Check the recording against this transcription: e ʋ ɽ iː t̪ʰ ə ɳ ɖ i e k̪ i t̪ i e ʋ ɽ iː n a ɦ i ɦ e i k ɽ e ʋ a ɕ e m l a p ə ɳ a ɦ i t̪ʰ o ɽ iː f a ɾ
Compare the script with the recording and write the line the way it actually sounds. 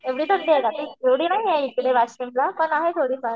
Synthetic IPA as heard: e ʋ ɽ iː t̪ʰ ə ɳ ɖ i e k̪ a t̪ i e ʋ ɽ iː n a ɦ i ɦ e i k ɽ e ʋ a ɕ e m l a p ə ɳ a ɦ e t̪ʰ o ɽ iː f a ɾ

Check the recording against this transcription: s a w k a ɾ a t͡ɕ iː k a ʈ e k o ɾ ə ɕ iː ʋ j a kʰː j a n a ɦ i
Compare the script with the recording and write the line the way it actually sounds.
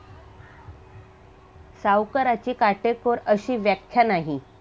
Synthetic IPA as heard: s a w k ə ɾ a t͡ɕ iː k a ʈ e k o ɾ ə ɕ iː ʋ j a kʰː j a n a ɦ i

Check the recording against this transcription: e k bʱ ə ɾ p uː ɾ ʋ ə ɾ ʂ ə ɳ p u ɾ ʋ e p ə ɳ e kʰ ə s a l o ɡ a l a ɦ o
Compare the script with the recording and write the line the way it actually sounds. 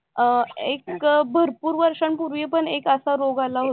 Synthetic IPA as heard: e k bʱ ə ɾ p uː ɾ ʋ ə ɾ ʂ ə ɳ p u ɾ ʋ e p ə ɳ e k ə s a ɾ o ɡ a l a ɦ o

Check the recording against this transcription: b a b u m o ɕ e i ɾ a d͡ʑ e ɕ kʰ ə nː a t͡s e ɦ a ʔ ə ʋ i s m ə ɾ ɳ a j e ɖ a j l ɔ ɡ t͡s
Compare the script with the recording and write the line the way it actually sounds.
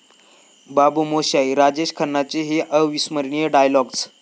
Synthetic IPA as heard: b a b u m o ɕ a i ɾ a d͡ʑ e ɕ kʰ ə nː a t͡s e ɦ e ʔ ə ʋ i s m ə ɾ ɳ i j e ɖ a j l ɔ ɡ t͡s

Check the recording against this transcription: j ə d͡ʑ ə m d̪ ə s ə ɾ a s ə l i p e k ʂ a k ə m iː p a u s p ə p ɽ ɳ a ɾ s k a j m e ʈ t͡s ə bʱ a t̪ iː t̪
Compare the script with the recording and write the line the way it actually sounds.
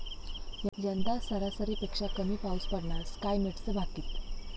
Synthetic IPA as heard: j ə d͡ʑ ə n d̪ a s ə ɾ a s ə ɾ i p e k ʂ a k ə m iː p a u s p ə ɽ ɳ a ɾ s k a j m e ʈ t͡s ə bʱ a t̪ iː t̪

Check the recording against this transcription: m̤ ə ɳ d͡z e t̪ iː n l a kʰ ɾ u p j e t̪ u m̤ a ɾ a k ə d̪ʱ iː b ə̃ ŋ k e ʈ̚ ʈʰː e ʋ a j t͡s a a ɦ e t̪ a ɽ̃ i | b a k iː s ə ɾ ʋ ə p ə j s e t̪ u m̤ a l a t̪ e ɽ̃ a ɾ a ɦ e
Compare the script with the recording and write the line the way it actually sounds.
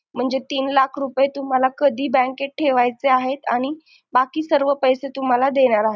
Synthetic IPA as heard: m̤ ə ɳ d͡z e t̪ iː n l a kʰ ɾ u p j e t̪ u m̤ a l a k ə d̪ʱ iː b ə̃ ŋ k e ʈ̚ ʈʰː e ʋ a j t͡s e a ɦ e t̪ a ɽ̃ i | b a k iː s ə ɾ ʋ ə p ə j s e t̪ u m̤ a l a d̪ e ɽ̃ a ɾ a ɦ e

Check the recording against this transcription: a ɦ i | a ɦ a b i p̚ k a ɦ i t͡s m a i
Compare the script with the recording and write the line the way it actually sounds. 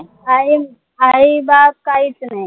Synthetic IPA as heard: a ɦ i | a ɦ i b a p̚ k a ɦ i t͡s n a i

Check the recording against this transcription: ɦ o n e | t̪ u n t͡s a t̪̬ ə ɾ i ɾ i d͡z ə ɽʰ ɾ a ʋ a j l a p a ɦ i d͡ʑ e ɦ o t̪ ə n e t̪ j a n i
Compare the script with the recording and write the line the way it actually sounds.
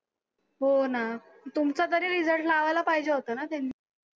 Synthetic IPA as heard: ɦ o n a | t̪ u m t͡s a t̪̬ ə ɾ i ɾ i d͡z ə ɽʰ l a ʋ a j l a p a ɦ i d͡ʑ e ɦ o t̪ ə n a t̪ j a n i

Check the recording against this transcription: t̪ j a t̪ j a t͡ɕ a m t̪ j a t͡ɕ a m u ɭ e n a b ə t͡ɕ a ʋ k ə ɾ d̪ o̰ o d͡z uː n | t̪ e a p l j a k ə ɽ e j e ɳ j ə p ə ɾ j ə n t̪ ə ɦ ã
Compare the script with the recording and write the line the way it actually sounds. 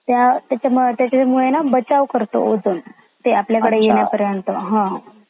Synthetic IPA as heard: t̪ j a t̪ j a t͡ɕ a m t̪ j a t͡ɕ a m u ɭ e n a b ə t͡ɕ a ʋ k ə ɾ t̪ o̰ o d͡z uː n | t̪ e a p l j a k ə ɽ e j e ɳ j a p ə ɾ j ə n t̪ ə ɦ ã

